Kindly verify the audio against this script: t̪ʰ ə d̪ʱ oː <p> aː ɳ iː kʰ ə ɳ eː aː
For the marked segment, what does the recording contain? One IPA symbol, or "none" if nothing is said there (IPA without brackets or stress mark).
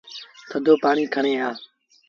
p